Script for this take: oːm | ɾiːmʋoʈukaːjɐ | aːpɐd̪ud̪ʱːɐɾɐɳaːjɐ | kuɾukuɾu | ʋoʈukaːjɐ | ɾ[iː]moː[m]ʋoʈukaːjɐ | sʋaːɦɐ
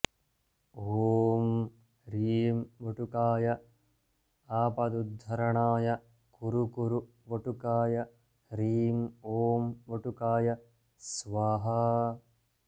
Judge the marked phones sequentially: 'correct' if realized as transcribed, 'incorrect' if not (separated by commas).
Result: correct, correct